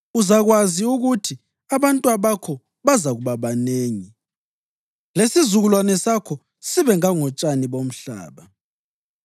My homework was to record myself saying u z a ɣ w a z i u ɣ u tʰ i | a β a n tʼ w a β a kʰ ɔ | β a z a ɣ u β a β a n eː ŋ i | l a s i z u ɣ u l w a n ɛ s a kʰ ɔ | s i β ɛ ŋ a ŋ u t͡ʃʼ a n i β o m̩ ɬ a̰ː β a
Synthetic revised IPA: u z a ɣ w a z i u ɣ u tʰ i | a β a n tʼ w a β a kʰ ɔ | β a z a ɣ u β a β a n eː ŋ i | l e s i z u ɣ u l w a n ɛ s a kʰ ɔ | s i β ɛ ŋ a ŋ ɔ t͡ʃʼ a n i β o m̩ ɬ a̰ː β a

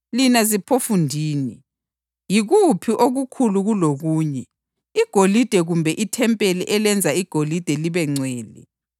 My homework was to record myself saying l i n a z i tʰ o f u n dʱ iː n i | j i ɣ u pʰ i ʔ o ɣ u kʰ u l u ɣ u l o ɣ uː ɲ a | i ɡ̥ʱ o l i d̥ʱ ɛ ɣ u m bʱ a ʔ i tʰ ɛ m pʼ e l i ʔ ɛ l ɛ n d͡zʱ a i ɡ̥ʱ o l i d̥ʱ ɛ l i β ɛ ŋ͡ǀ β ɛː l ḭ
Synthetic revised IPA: l i n a z i pʰ o f u n dʱ iː n i | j i ɣ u pʰ i ʔ o ɣ u kʰ u l u ɣ u l o ɣ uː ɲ ɛ | i ɡ̥ʱ o l i d̥ʱ ɛ ɣ u m bʱ ɛ ʔ i tʰ ɛ m pʼ e l i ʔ ɛ l ɛ n d͡zʱ a i ɡ̥ʱ o l i d̥ʱ ɛ l i β ɛ ŋ͡ǀ w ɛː l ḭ

